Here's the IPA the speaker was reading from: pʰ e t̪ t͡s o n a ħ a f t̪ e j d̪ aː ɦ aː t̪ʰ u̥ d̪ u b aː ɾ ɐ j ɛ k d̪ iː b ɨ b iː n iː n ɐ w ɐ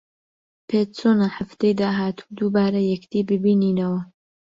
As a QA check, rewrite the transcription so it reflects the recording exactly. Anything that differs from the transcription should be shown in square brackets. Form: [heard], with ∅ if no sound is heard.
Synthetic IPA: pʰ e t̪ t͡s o n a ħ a f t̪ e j d̪ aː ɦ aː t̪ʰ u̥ d̪ u b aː ɾ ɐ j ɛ k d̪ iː b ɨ b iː n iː n ɐ w ɐ